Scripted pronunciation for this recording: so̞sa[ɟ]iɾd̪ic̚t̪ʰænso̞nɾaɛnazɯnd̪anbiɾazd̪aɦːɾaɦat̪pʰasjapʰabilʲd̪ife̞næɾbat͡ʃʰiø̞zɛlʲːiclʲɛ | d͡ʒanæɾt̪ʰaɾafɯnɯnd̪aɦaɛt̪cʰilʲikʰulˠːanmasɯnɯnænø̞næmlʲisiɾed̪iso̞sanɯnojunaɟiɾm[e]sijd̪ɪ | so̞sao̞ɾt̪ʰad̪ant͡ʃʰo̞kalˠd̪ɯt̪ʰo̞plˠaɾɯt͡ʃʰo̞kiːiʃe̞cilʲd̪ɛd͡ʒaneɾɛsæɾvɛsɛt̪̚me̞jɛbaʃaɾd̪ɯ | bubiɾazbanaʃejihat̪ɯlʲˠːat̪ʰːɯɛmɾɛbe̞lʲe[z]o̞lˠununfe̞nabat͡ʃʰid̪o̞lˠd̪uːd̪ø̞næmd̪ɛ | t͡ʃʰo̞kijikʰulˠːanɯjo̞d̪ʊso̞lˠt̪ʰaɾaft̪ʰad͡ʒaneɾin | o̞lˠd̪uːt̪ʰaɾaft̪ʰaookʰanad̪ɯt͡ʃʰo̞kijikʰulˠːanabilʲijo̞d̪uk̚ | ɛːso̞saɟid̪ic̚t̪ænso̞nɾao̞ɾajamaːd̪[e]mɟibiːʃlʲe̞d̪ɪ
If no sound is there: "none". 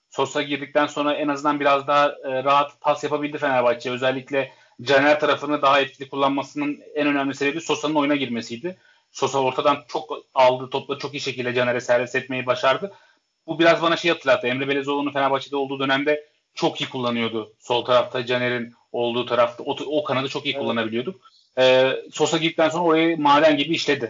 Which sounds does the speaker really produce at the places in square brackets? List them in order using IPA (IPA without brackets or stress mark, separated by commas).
ɟ, e, z, æ